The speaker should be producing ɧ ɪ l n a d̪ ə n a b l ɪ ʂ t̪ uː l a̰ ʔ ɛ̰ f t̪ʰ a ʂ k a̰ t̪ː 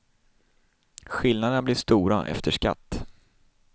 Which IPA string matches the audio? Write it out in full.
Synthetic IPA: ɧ ɪ l n a d̪ ə n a b l ɪ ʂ t̪ uː ɾ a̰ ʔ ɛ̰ f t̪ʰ ə ʂ k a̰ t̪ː